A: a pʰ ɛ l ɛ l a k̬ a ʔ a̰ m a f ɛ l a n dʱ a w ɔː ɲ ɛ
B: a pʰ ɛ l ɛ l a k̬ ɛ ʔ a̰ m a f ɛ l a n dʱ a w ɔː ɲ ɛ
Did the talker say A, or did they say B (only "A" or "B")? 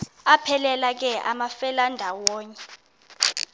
B